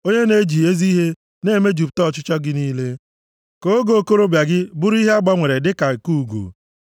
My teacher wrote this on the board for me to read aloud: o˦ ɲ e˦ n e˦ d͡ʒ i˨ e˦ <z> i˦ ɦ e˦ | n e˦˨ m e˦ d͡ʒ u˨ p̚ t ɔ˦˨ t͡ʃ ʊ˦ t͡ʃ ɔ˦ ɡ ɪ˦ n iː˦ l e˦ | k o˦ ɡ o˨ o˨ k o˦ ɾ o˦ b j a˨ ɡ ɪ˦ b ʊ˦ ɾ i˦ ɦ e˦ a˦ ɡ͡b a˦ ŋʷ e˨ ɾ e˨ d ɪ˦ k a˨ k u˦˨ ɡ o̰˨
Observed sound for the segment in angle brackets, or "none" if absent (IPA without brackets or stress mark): z